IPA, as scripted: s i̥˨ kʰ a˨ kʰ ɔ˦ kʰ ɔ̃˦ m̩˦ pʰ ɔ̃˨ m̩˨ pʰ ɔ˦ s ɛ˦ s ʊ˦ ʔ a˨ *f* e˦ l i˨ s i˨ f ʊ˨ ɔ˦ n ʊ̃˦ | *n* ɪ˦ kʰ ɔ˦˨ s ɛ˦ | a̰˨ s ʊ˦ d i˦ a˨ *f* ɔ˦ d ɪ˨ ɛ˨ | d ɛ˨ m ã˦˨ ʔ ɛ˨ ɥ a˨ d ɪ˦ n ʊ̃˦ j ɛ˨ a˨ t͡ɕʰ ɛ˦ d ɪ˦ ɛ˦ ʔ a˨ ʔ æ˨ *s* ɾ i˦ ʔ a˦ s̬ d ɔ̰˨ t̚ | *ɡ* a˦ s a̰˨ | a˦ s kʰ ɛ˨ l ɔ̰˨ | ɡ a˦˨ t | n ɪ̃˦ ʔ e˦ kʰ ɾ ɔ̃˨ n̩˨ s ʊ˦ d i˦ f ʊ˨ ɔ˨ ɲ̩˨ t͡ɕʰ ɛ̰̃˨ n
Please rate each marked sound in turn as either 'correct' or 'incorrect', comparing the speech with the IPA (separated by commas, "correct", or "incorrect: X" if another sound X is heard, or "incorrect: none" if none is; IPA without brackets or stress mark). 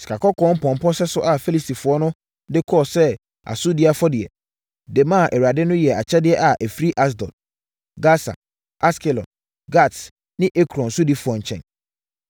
correct, incorrect: d, correct, incorrect: f, correct